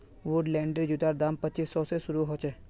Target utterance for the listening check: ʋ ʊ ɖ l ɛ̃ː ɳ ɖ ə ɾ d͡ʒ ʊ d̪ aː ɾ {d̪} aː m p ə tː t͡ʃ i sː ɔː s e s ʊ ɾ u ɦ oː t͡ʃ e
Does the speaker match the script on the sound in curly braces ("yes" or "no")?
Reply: yes